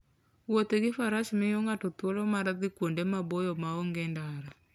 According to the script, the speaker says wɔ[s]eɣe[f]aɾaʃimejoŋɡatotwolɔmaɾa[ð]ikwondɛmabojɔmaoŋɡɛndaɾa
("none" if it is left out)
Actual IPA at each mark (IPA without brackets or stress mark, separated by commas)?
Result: t, f, ð